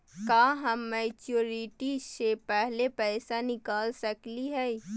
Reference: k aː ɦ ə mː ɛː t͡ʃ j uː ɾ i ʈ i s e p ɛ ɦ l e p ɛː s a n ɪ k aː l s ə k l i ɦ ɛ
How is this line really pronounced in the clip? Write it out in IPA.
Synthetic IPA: k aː ɦ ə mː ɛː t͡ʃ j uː ɾ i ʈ i s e p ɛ ɦ l e p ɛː s a n ɪ k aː l s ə k l i ɦ ɛ